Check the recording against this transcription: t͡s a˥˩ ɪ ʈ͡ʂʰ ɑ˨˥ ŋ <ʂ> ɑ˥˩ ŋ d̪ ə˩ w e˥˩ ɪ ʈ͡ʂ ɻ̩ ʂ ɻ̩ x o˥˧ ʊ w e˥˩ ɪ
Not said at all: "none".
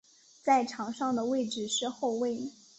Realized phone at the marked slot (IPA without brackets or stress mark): ʂ